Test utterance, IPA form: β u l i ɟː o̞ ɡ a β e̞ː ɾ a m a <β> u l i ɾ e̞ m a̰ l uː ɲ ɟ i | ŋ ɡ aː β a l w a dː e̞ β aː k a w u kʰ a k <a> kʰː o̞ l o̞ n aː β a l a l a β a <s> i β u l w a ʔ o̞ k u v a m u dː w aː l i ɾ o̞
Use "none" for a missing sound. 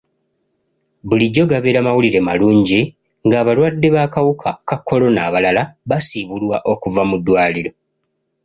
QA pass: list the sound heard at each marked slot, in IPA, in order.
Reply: w, a, s

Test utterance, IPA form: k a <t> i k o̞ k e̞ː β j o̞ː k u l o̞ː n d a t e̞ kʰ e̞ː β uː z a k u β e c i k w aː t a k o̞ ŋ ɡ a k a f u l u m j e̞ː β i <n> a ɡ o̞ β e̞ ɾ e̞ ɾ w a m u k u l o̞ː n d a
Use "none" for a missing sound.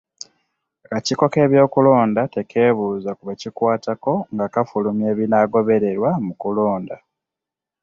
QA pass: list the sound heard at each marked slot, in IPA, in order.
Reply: c, n

